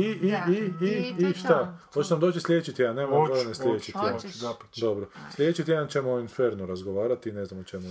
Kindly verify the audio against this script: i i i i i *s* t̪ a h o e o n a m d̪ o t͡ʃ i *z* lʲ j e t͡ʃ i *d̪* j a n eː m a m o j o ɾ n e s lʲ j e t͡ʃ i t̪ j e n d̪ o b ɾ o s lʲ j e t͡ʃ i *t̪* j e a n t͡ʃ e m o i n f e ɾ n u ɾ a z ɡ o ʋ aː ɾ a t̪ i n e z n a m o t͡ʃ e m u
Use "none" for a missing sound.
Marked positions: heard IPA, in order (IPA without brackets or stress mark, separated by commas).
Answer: ʃ, s, t̪, t̪